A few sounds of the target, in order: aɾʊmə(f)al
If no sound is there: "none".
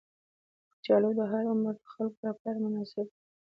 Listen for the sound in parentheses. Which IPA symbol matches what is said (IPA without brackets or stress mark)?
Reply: x